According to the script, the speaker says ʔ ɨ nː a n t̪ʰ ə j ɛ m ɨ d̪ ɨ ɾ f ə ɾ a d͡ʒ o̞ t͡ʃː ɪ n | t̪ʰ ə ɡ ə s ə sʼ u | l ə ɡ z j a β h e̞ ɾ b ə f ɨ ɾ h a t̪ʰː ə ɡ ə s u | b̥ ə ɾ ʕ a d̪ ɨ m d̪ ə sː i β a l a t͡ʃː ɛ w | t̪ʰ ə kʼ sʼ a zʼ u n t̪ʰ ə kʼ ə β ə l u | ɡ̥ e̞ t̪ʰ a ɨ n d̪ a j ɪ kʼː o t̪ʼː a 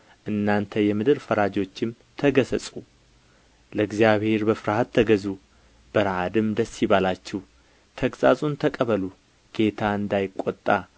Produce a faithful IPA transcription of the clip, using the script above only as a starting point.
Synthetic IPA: ʔ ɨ nː a n t̪ʰ ə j ɛ m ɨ d̪ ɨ ɾ f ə ɾ a d͡ʒ o̞ t͡ʃː ɪ m | t̪ʰ ə ɡ ə s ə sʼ u | l ə ɡ z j a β h e̞ ɾ b ə f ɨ ɾ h a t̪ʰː ə ɡ ə z u | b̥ ə ɾ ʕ a d̪ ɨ m d̪ ə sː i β a l a t͡ʃː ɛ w | t̪ʰ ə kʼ sʼ a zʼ u n t̪ʰ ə kʼ ə β ə l u | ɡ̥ e̞ t̪ʰ a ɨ n d̪ a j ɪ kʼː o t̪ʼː a